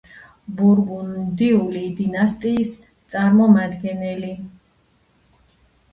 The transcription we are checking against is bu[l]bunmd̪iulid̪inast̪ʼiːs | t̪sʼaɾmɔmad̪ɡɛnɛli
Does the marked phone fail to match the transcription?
yes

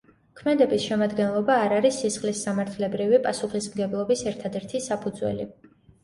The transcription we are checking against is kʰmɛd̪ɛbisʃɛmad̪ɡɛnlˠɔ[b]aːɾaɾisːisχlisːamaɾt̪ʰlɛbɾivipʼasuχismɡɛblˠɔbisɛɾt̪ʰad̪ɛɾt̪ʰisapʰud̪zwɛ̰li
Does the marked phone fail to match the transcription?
no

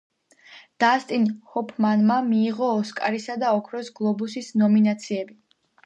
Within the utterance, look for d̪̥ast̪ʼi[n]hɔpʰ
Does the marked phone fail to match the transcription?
no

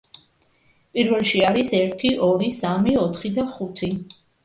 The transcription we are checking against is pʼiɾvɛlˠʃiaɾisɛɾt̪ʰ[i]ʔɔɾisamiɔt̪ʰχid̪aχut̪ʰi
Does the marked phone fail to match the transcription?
no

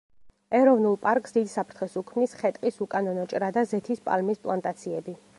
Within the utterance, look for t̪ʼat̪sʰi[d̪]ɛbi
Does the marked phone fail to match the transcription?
yes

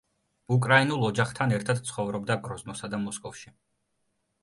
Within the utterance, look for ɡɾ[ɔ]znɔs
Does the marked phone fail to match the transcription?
no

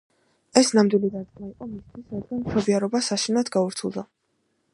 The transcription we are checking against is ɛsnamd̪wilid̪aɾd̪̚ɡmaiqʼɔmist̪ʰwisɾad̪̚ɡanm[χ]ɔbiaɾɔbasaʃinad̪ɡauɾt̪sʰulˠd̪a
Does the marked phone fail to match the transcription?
yes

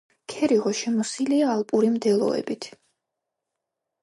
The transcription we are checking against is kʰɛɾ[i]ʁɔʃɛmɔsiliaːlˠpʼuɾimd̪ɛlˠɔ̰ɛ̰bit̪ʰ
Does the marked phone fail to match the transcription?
no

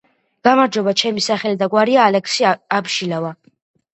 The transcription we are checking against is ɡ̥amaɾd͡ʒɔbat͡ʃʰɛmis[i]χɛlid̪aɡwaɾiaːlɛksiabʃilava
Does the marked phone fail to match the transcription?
yes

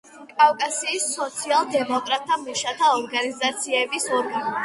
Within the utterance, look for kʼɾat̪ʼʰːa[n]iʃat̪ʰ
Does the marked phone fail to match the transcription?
yes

